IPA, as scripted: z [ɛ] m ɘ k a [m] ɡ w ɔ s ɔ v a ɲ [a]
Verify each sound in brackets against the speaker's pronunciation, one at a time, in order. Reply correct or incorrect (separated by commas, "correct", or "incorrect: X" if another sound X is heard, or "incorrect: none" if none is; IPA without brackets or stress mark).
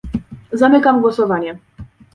incorrect: a, correct, incorrect: ɛ